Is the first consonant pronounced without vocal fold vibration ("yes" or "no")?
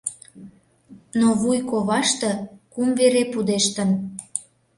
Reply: no